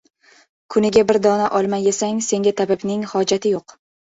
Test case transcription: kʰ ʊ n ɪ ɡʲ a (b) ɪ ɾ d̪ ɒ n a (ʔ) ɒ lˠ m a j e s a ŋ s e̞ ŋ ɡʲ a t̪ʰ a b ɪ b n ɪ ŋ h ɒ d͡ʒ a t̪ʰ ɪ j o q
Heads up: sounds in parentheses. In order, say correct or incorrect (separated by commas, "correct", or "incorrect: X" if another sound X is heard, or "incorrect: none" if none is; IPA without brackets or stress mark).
correct, correct